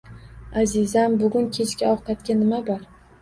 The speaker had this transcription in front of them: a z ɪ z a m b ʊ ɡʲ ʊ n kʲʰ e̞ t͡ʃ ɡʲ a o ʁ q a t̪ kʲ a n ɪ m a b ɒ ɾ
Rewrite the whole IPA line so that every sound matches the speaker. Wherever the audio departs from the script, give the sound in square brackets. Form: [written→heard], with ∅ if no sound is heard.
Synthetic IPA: a z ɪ z a m b ʊ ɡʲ ʊ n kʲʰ e̞ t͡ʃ [ɡʲ→kʲ] a [o→ɒ] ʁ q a t̪ kʲ a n ɪ m a b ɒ ɾ